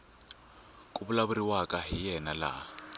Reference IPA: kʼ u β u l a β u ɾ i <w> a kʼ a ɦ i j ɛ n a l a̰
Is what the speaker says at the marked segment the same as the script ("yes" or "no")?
yes